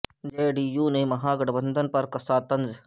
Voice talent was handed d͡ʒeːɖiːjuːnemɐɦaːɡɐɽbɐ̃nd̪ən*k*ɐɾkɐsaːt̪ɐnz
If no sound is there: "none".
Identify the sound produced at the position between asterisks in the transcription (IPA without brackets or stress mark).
p